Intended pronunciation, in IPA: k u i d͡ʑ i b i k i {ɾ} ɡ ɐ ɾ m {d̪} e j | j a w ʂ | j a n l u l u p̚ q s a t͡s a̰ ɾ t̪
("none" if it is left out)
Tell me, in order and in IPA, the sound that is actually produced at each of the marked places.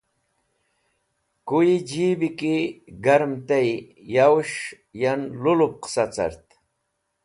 none, t̪

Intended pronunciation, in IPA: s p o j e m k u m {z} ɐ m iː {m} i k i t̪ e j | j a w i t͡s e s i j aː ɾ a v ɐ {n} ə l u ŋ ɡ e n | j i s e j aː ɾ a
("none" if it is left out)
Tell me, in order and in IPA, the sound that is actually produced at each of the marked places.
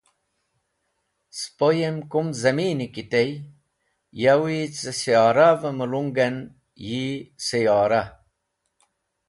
z, n, m

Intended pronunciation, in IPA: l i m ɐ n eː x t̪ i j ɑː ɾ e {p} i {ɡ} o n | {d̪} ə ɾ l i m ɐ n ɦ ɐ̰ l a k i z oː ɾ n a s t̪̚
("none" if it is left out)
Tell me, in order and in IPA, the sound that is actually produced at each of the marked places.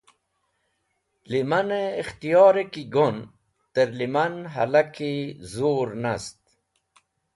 k, ɡ, t̪

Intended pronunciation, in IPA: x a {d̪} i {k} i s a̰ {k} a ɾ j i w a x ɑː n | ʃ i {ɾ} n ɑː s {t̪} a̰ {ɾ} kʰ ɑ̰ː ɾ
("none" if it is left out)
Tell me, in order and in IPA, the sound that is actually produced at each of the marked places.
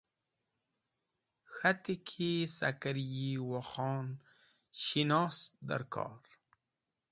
t̪, kʰ, k, none, d̪, ɾ

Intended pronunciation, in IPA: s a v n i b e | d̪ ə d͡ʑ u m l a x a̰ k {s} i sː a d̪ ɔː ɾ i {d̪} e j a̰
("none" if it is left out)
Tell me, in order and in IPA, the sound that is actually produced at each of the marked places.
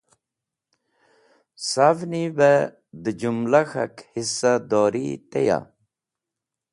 h, t̪

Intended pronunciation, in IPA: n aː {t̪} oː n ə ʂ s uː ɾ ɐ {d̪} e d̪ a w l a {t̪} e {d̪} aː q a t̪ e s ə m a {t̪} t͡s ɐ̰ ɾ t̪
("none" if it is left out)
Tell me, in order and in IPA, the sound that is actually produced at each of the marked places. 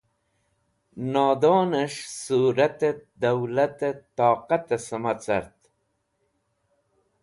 d̪, t̪, t̪, t̪, none

